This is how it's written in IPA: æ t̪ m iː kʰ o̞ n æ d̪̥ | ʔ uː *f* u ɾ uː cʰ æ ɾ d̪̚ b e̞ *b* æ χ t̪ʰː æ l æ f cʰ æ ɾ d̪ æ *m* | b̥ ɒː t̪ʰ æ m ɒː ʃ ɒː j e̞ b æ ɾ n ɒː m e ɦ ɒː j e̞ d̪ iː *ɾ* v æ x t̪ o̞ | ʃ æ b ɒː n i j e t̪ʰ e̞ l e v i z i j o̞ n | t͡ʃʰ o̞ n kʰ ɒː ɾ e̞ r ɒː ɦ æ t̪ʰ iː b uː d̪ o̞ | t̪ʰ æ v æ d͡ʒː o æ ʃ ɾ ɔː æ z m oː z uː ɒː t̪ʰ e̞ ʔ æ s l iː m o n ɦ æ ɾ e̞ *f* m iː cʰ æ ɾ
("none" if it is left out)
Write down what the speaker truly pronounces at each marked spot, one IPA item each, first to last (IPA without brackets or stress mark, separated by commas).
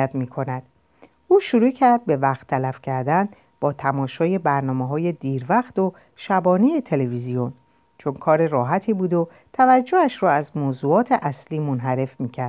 ʃ, v, n, ɾ, f